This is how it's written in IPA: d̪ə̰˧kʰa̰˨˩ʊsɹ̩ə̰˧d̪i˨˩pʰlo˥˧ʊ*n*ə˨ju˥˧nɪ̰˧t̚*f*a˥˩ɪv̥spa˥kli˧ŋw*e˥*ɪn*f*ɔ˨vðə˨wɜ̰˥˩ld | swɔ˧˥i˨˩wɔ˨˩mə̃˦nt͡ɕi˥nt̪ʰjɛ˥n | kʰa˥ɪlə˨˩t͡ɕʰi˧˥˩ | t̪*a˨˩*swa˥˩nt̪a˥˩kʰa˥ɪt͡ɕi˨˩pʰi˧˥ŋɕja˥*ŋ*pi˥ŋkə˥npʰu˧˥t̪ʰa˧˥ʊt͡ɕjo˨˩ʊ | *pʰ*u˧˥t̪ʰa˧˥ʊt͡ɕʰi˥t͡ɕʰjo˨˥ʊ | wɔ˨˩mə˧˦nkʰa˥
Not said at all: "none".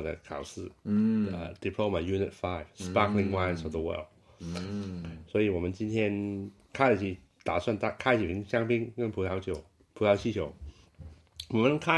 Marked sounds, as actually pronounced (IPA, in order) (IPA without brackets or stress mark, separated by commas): m, f, a˥, s, a˨˩, ŋ, pʰ